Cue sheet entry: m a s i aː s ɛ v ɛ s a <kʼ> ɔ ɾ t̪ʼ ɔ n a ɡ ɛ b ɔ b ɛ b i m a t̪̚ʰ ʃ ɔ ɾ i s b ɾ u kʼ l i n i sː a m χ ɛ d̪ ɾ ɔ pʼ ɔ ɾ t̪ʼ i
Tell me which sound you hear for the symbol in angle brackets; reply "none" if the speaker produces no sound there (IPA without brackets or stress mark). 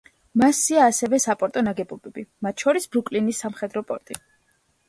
pʼ